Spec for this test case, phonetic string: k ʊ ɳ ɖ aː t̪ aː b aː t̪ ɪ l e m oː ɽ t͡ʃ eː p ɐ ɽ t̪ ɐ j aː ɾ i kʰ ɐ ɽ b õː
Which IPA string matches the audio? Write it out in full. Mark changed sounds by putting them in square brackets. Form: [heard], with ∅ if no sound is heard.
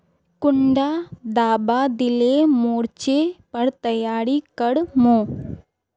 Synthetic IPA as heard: k ʊ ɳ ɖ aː [d̪] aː b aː [d̪] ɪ l e m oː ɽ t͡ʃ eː p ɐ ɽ t̪ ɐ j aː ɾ i [k] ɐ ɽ [m] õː